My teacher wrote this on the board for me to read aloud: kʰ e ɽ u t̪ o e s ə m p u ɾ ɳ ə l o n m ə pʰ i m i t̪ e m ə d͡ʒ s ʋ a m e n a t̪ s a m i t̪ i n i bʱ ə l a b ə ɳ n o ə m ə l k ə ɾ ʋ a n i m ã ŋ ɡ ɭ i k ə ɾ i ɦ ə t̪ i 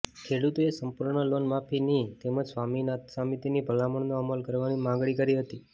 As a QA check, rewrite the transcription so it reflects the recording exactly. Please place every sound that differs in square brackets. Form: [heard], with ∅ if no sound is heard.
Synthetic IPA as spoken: kʰ e ɽ u t̪ o e s ə m p u ɾ ɳ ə l o n m [a] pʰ i [n] i t̪ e m ə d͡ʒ s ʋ a m [i] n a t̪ s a m i t̪ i n i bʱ ə l a [m] ə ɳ n o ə m ə l k ə ɾ ʋ a n i m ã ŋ ɡ ɭ i k ə ɾ i ɦ ə t̪ i